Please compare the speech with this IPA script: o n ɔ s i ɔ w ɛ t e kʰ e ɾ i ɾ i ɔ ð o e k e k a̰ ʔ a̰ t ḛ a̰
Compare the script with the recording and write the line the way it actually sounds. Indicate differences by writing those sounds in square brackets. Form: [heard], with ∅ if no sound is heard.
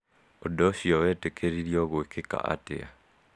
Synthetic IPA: o [d] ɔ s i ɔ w ɛ t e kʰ e ɾ i ɾ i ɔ [ɣ] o e k e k a̰ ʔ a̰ t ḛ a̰